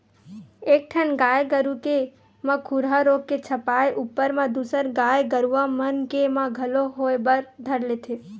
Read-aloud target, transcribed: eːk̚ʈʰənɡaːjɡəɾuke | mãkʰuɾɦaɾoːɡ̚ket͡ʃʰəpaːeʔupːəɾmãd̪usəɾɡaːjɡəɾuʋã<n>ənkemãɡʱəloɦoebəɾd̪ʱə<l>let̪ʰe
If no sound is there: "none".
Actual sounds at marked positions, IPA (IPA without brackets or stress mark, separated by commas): m, ɾ